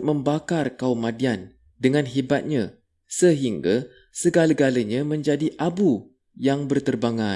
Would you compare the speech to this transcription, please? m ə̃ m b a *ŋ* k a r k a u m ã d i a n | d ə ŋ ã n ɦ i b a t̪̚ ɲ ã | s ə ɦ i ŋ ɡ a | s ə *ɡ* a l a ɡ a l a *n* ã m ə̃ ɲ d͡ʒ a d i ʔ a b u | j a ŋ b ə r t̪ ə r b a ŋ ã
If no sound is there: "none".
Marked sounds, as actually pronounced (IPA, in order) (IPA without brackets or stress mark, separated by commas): none, ɡ, ɲ